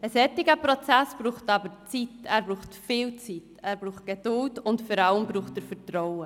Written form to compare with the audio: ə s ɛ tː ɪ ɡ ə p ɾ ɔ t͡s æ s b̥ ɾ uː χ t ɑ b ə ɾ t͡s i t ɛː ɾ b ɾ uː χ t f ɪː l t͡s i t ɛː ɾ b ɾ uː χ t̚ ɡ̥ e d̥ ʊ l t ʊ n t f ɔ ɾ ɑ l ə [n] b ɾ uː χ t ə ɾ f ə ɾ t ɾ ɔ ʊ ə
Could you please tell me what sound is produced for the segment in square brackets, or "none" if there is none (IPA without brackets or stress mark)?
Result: m